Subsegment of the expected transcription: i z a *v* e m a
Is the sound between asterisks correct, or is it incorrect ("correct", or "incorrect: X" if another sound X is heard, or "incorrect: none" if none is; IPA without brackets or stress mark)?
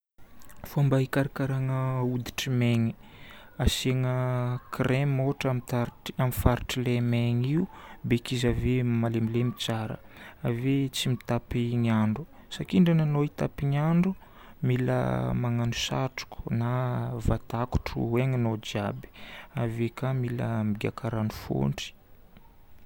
correct